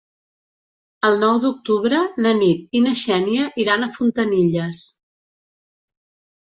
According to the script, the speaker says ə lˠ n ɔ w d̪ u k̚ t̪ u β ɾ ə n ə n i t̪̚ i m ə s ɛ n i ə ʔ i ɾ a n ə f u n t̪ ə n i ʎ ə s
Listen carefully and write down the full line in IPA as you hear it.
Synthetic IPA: ə lˠ n ɔ w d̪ u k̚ t̪ u β ɾ ə n ə n i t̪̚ i n ə ʃ ɛ n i ə ʔ i ɾ a n ə f u n t̪ ə n i ʎ ə s